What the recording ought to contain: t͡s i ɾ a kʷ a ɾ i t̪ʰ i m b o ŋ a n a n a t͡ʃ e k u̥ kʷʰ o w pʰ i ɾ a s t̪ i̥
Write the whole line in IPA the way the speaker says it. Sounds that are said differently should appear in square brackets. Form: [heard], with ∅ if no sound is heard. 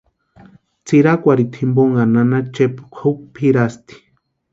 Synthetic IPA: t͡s i ɾ a kʷ a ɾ i t̪ʰ i m b o ŋ a n a n a t͡ʃ e [p] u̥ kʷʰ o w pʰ i ɾ a s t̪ i̥

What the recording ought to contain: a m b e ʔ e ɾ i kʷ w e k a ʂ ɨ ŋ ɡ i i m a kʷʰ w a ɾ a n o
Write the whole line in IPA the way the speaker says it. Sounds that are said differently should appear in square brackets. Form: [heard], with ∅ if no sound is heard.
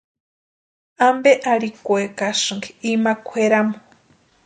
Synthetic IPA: a m b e ʔ [a] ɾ i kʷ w e k a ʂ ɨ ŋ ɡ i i m a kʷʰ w [e] ɾ a [m] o

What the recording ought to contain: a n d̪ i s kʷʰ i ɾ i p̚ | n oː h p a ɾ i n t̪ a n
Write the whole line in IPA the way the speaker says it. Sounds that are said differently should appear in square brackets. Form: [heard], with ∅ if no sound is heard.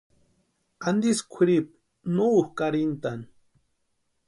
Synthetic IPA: a n d̪ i s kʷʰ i ɾ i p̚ | n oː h [k] a ɾ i n t̪ a n

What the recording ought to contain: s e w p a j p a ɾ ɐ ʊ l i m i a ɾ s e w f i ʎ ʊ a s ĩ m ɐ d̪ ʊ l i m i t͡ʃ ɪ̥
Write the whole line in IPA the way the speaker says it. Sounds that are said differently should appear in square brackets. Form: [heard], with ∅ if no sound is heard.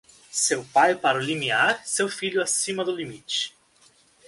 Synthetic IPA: s e w p a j p a ɾ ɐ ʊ l i m i a ɾ s e w f i ʎ ʊ a s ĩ m ɐ d̪ ʊ l i m i t͡ʃ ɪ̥

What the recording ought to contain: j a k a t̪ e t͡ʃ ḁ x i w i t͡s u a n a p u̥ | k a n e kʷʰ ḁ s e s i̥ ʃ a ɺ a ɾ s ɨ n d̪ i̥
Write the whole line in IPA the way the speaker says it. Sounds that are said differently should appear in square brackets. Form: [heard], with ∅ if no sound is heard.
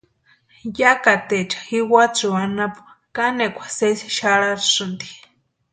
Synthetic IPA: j a k a t̪ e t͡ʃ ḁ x i w [a] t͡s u a n a p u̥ | k a n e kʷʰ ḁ s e s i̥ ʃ a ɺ a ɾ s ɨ n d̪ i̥

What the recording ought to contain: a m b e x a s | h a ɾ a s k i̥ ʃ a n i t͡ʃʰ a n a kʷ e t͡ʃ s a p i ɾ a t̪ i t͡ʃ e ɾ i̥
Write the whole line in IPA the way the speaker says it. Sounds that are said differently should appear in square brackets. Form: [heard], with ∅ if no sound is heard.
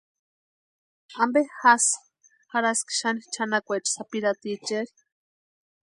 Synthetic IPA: a m b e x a s | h a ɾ a s k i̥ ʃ a n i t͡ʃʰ a n a kʷ e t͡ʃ s a p i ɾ a t̪ i t͡ʃ e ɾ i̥

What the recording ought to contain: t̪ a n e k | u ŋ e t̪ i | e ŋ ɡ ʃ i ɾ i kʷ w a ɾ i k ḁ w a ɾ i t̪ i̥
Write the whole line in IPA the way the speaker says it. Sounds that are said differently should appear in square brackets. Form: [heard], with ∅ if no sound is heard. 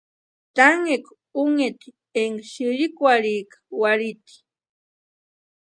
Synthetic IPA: t̪ a [ŋ] e k | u ŋ e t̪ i | e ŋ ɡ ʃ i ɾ i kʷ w a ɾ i k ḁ w a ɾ i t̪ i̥

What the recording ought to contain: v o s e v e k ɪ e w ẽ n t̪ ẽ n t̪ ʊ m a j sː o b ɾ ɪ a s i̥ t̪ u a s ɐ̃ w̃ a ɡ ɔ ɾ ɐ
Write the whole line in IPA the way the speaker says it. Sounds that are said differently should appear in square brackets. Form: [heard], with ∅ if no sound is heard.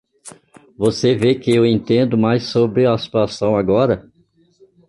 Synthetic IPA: v o s e v e k ɪ e w ẽ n t̪ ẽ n [d̪] ʊ m a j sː o b ɾ ɪ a s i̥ t̪ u a s ɐ̃ w̃ a ɡ ɔ ɾ ɐ

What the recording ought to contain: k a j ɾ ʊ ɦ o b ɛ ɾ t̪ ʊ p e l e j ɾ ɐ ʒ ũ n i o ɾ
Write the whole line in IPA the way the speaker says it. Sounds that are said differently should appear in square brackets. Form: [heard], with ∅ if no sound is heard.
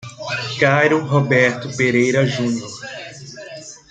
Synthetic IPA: k a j ɾ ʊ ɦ o b ɛ ɾ t̪ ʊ p e [ɾ] e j ɾ ɐ ʒ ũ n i o ɾ

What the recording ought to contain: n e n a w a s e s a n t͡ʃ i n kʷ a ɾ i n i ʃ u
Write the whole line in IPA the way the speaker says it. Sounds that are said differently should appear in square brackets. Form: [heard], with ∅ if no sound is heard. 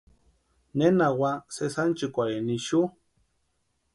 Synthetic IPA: n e n a w a s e s a n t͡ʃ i [∅] kʷ a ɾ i n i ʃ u

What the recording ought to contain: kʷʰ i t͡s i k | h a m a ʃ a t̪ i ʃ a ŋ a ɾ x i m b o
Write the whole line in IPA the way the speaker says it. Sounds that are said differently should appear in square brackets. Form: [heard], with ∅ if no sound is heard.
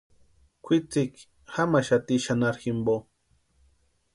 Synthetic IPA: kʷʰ i t͡s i k | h a m a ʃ a t̪ i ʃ a [n] a ɾ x i m b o

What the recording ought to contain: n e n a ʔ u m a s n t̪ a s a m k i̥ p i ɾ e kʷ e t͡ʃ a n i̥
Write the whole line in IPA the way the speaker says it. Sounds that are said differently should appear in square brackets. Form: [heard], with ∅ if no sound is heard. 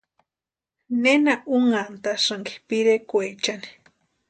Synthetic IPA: n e n a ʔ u [ŋ] a [∅] n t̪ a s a [ŋ] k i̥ p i ɾ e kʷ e t͡ʃ a n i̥

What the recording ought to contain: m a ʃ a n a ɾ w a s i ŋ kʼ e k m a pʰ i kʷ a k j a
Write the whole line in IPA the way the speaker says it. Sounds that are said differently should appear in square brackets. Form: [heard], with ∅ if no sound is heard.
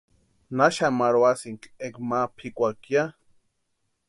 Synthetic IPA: [n] a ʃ a [m] a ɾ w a s i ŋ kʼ e k m a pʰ i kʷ a k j a

